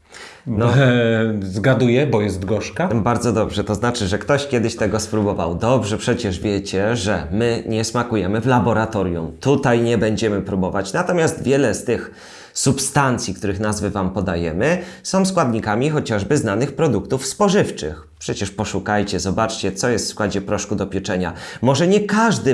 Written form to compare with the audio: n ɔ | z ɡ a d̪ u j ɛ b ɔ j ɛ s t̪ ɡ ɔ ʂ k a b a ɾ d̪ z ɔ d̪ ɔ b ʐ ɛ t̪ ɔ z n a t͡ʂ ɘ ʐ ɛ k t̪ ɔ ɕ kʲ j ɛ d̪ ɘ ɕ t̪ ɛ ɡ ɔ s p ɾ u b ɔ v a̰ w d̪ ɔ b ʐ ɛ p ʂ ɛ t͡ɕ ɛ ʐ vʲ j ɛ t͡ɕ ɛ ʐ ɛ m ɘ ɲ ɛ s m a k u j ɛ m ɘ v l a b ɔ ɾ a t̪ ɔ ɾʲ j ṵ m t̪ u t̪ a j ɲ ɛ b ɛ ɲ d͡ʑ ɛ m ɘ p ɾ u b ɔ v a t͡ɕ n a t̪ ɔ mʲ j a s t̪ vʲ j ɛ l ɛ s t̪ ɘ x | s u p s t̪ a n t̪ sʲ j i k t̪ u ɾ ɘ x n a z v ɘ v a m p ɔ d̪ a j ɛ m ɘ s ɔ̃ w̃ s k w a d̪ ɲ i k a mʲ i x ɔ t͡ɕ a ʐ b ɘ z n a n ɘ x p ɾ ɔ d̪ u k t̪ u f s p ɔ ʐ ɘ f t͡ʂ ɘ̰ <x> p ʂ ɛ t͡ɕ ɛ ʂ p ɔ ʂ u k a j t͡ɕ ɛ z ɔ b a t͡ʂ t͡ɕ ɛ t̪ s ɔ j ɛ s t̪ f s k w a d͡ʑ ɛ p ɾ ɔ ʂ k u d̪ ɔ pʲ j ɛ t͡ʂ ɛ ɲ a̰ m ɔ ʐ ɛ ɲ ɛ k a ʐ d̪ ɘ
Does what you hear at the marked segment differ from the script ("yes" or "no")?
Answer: no